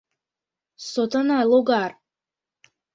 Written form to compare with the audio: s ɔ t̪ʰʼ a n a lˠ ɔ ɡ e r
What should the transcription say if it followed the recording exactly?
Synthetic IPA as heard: s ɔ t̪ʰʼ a n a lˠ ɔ ɡ a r

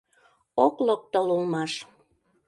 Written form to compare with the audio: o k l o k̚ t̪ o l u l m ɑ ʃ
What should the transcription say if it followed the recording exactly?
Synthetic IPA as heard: o k l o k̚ t̪ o l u l m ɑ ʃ

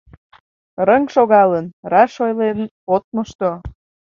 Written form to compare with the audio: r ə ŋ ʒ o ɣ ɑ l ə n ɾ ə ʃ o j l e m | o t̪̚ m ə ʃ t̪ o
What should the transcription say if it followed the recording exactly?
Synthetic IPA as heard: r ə ŋ ʃ o ɣ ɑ l ə n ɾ ɑ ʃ o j l e n | o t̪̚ m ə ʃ t̪ o

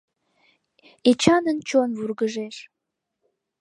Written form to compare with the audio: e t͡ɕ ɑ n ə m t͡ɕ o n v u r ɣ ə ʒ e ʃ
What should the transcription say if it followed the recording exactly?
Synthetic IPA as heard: e t͡ɕ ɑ n ə n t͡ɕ o n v u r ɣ ə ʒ e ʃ

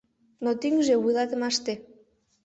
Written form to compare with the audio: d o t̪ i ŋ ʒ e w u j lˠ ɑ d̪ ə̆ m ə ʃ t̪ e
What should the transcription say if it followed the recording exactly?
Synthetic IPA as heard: n o t̪ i ŋ ʒ e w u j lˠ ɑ t̪ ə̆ m ɑ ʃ t̪ e

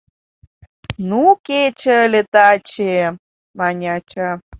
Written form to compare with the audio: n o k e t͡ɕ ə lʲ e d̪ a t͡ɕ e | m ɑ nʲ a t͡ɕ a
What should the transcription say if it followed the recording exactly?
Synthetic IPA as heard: n u k e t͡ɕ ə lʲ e t̪ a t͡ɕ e | m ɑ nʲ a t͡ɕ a

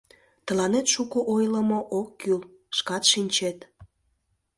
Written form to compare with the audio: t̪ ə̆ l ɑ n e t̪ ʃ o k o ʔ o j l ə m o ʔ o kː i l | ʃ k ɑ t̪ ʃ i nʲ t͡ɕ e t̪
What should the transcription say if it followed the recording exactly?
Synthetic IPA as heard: t̪ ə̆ l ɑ n e t̪ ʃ u k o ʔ o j l ə m o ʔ o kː y l | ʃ k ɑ t̪ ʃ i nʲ t͡ɕ e t̪

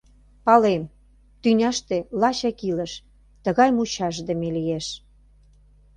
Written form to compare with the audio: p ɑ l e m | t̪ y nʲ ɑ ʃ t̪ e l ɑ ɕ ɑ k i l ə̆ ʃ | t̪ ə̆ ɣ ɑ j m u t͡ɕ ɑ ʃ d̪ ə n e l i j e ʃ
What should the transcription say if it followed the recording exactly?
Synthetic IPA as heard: p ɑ l e m | t̪ y nʲ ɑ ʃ t̪ e l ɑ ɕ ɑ k i l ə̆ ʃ | t̪ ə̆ ɣ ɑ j m u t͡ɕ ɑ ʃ d̪ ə m e l i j e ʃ

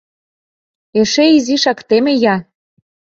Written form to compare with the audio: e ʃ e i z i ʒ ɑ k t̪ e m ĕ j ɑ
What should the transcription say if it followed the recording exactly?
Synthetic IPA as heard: e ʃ e i z i ʃ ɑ k t̪ e m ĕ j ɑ

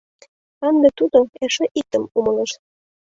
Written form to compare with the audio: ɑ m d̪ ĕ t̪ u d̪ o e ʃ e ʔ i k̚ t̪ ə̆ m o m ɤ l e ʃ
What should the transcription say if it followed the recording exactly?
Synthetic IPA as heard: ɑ n d̪ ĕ t̪ u d̪ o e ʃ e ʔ i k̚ t̪ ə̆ m u m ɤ l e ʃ

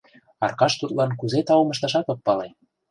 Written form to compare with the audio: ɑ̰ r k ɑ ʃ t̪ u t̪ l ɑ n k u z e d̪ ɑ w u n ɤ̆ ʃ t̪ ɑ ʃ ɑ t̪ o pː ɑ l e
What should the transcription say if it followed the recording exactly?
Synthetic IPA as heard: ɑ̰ r k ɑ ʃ t̪ u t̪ l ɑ n k u z e t̪ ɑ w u m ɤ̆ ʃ t̪ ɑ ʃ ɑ t̪ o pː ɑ l e

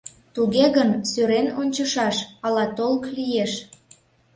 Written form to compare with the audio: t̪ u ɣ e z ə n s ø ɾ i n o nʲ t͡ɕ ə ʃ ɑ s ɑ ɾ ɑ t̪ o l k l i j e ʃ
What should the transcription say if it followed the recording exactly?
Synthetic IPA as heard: t̪ u ɣ e ɣ ə n s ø ɾ e n o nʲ t͡ɕ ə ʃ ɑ ʃ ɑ l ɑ t̪ o l k l i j e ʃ

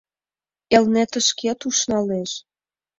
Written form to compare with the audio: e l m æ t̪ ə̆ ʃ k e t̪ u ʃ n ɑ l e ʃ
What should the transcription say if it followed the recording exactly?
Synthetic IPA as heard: e l n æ t̪ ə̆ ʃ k e t̪ u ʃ n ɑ l e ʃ

